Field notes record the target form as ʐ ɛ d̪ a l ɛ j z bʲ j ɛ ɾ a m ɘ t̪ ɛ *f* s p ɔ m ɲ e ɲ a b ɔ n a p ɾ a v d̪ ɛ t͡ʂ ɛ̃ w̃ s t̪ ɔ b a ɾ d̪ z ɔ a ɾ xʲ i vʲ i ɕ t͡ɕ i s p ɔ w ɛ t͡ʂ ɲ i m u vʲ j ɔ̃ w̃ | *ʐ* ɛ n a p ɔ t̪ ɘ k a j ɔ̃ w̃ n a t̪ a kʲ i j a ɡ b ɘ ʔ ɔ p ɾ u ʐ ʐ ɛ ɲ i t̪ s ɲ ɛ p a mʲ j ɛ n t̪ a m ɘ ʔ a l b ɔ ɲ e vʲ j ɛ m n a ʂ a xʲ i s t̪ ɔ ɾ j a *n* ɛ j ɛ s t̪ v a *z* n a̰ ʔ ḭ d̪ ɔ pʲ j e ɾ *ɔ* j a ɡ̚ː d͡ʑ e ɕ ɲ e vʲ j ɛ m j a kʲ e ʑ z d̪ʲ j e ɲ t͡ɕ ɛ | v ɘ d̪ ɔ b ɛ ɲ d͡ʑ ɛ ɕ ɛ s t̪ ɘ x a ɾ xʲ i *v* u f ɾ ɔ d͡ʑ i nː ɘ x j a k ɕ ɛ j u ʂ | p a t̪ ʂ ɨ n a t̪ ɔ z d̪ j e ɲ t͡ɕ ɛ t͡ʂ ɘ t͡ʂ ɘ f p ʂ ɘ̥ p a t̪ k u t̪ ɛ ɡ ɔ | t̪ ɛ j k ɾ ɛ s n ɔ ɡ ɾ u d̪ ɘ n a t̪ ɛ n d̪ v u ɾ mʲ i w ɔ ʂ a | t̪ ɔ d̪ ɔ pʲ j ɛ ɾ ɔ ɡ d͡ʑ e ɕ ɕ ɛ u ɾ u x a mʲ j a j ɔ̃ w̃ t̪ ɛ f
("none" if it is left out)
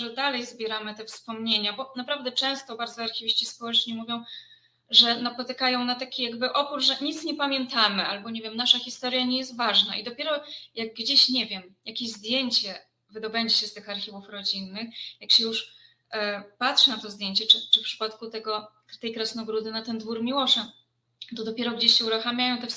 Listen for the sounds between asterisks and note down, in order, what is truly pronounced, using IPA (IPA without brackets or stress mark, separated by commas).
f, ʐ, ɲ, ʐ, ɔ, v